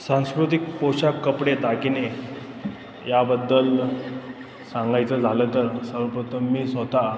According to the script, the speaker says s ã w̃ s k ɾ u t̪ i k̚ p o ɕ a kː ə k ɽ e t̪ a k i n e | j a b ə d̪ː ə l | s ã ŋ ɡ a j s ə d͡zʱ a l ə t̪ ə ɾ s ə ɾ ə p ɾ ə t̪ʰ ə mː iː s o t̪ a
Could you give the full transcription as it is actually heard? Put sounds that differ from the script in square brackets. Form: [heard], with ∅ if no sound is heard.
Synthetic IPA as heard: s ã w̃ s k ɾ u t̪ i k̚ p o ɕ a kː ə [p] ɽ e t̪ a k i n e | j a b ə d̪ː ə l | s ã ŋ ɡ a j [t͡s] ə d͡zʱ a l ə t̪ ə ɾ s ə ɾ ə p ɾ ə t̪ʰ ə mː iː s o t̪ a